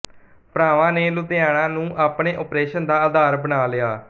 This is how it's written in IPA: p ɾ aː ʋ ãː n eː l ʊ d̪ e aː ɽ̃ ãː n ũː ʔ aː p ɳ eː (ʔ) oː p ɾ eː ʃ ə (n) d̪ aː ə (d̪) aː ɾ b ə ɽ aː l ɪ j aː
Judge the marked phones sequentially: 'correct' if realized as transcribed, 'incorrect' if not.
correct, correct, correct

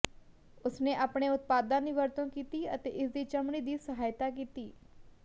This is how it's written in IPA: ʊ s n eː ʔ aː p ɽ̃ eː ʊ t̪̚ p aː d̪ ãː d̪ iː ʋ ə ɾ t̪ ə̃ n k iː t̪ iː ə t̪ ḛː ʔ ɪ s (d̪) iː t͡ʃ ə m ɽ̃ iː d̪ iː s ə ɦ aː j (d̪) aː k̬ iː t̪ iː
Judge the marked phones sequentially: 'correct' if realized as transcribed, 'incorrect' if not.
correct, incorrect: t̪

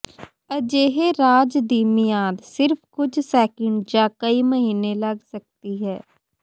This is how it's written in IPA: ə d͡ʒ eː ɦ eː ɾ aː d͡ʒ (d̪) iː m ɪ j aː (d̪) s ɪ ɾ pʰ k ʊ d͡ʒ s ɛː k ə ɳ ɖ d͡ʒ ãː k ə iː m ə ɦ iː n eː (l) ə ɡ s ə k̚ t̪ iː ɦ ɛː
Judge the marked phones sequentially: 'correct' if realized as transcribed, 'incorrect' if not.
correct, correct, correct

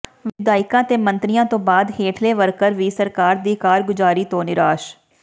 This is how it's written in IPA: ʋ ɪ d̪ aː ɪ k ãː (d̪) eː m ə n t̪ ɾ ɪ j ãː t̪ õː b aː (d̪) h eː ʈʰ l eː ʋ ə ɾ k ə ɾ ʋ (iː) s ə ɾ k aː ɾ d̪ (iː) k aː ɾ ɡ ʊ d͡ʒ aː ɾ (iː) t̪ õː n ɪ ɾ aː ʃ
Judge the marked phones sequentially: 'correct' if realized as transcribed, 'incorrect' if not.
incorrect: t̪, correct, correct, correct, correct

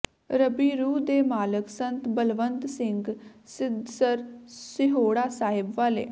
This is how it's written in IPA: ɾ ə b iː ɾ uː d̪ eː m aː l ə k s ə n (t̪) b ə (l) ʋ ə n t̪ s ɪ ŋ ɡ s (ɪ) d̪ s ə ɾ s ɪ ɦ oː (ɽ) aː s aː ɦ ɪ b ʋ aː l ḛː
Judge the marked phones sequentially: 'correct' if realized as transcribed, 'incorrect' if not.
correct, correct, correct, correct

